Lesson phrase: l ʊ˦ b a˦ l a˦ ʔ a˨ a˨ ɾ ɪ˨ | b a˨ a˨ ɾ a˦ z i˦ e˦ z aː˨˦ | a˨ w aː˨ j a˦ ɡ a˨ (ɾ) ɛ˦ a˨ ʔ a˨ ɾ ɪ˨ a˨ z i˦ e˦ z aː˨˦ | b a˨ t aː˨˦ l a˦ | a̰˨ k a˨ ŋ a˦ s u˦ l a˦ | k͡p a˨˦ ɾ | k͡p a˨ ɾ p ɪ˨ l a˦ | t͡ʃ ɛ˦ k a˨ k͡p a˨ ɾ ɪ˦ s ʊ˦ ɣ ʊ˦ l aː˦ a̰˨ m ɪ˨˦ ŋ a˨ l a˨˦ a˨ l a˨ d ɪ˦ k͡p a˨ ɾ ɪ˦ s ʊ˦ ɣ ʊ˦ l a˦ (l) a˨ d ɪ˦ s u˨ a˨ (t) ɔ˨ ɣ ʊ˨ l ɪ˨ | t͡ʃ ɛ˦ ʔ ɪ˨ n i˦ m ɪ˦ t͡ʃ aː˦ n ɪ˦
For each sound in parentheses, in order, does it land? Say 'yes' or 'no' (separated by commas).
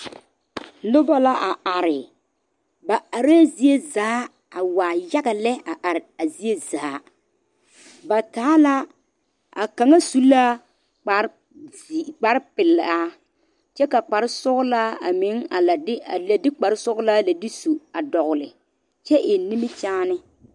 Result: no, yes, no